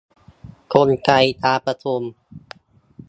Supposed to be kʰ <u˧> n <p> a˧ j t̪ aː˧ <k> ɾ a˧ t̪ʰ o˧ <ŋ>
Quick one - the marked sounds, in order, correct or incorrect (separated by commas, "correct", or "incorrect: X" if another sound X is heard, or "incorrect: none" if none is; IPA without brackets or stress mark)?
incorrect: o˧, incorrect: k, incorrect: p, incorrect: m